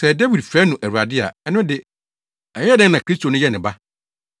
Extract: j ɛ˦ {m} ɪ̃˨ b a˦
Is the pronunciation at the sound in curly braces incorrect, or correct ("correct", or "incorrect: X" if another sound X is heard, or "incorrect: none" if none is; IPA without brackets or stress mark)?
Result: incorrect: n